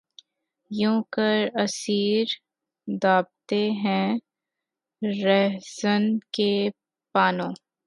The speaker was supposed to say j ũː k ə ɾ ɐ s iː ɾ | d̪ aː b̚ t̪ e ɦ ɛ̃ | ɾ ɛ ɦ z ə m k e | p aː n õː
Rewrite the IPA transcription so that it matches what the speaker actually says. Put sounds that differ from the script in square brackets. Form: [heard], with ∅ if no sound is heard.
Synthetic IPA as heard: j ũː k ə ɾ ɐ s iː ɾ | d̪ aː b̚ t̪ e ɦ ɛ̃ | ɾ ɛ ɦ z ə [n] k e | p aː n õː